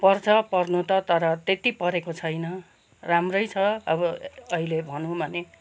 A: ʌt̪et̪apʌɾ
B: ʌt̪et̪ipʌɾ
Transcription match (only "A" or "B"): B